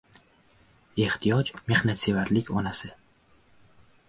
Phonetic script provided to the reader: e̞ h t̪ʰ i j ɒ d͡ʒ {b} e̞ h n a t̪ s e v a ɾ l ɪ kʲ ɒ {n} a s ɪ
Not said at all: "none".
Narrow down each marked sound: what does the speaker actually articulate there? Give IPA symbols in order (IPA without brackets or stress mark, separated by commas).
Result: m, n